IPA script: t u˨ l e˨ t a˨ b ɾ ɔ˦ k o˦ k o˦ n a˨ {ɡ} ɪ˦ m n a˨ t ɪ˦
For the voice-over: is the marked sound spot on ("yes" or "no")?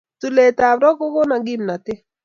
yes